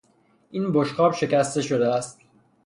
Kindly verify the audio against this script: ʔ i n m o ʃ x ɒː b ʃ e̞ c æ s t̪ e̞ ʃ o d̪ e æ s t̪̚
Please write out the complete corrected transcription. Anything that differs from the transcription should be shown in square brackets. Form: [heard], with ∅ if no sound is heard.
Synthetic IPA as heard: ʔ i n [b] o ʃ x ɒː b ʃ e̞ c æ s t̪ e̞ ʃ o d̪ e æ s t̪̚